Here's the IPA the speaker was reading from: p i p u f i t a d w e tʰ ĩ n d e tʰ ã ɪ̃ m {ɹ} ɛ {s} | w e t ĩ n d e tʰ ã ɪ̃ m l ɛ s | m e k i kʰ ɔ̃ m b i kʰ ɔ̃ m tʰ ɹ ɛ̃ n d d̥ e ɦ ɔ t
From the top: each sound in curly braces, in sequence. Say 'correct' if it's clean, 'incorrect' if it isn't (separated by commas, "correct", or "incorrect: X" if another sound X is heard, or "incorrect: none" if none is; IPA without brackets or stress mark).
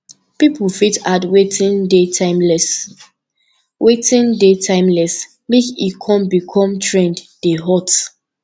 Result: incorrect: l, correct